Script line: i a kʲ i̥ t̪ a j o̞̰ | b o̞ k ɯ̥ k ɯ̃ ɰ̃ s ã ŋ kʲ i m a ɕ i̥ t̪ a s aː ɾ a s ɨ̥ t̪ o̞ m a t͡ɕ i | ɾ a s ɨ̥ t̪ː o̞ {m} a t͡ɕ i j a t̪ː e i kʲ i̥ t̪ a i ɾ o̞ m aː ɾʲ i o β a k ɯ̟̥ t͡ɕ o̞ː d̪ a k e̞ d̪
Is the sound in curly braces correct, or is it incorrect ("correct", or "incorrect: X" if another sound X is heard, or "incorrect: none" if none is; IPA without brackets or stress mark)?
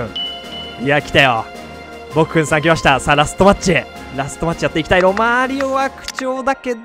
correct